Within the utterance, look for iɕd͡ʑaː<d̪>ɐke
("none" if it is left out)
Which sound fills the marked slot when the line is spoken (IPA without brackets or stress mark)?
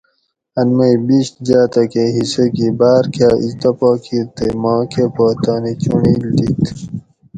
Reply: t̪